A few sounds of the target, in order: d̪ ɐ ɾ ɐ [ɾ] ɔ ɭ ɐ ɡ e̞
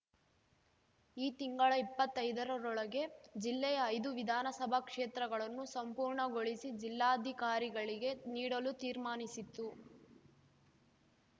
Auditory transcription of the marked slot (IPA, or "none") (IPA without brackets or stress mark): ɾ